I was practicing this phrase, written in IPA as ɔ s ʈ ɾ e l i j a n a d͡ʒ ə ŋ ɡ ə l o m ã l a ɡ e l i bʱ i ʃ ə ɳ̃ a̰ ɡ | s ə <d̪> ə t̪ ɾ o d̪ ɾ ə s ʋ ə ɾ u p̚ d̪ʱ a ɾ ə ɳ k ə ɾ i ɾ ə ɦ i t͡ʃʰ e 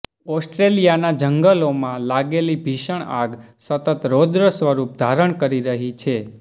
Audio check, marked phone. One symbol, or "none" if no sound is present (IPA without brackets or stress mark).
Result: t̪